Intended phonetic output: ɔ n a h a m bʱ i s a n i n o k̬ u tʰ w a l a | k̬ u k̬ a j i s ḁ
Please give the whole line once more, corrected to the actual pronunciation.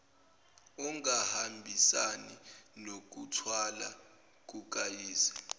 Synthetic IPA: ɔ ŋ a h a m bʱ i s a n i n o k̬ u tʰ w a l a | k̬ u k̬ a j iː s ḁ